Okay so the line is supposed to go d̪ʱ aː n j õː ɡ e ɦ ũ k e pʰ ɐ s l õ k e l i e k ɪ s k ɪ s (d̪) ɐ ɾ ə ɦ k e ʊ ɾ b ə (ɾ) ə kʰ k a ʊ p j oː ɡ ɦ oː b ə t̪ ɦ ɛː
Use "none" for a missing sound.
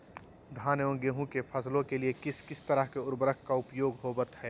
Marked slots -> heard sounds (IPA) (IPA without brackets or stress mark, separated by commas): t̪, ɾ